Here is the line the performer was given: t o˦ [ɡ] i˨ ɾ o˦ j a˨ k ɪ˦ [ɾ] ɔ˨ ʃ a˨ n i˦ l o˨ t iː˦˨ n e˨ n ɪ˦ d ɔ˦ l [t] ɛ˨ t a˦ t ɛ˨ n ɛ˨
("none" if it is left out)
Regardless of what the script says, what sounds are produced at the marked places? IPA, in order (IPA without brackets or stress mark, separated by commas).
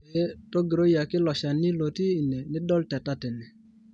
ɡ, l, t